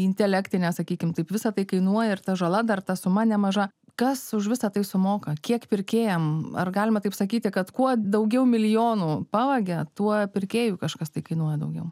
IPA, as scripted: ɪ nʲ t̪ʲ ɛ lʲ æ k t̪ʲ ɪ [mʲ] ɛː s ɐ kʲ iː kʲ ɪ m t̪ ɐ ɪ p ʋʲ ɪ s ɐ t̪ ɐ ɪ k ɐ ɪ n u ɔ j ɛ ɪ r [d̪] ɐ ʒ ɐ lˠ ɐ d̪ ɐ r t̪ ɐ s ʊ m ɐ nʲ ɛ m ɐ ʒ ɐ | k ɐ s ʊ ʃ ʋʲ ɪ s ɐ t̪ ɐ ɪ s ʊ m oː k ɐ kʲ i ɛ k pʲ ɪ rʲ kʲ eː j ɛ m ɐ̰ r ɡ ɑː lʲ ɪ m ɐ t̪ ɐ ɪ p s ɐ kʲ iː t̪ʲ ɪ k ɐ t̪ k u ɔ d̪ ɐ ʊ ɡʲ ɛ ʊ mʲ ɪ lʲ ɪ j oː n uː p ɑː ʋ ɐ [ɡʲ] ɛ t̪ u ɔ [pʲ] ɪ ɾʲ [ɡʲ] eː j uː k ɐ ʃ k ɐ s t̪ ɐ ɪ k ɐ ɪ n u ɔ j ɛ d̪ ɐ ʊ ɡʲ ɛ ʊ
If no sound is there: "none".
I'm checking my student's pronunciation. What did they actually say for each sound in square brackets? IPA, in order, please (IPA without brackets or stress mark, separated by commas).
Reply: nʲ, t̪, ɡʲ, pʲ, kʲ